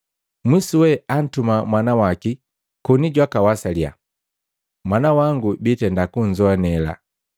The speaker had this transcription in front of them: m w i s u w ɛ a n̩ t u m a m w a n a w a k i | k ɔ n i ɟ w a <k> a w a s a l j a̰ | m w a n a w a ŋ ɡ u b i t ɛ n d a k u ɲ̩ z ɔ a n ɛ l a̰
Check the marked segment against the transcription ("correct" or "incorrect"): correct